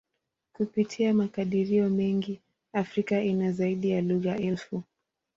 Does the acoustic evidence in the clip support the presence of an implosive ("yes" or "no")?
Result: yes